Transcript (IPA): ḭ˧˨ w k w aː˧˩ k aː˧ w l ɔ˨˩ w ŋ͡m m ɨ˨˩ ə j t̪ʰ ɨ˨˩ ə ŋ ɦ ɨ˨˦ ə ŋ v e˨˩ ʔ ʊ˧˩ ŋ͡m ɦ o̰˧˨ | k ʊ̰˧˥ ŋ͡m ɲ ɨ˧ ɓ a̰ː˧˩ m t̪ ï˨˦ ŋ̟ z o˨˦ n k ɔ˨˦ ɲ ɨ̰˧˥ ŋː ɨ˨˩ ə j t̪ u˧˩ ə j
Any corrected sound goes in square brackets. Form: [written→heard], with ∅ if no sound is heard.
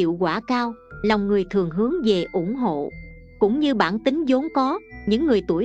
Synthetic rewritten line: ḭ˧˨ w k w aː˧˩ k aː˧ w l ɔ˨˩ w ŋ͡m [m→ŋ] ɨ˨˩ ə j t̪ʰ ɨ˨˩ ə ŋ ɦ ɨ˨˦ ə ŋ v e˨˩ ʔ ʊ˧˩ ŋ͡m ɦ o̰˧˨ | k ʊ̰˧˥ ŋ͡m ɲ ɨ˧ ɓ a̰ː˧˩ [m→n] t̪ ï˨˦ ŋ̟ z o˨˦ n k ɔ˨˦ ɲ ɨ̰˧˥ ŋː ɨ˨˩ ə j t̪ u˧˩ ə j